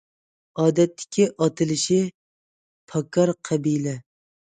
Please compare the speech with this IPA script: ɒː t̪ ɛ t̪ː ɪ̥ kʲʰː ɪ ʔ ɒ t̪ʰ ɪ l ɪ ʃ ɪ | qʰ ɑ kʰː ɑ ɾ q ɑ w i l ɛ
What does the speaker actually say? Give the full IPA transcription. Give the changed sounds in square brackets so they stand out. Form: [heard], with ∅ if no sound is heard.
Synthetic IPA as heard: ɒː [d̪] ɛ t̪ː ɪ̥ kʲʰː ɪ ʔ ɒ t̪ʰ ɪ l ɪ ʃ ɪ | [pʰ] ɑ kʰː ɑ ɾ [qʰ] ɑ [b] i l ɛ